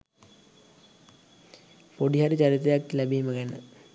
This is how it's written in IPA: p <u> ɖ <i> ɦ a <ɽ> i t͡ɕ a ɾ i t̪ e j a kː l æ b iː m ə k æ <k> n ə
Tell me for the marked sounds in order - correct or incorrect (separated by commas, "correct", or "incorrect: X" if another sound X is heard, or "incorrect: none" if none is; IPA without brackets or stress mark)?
incorrect: o, correct, incorrect: ɾ, incorrect: none